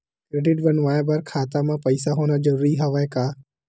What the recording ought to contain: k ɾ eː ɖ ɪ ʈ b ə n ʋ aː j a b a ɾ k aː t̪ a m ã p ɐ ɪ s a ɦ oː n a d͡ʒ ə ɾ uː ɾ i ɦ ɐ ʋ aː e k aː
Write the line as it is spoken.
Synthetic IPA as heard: k ɾ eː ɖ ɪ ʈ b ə n ʋ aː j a b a ɾ kʰ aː t̪ a m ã p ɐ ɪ s a ɦ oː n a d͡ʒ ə ɾ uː ɾ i ɦ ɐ ʋ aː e k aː